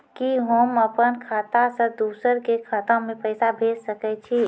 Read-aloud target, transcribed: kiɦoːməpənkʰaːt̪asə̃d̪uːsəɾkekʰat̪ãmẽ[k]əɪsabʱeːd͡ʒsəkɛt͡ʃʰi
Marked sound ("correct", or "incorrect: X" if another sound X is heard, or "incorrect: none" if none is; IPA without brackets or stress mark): incorrect: p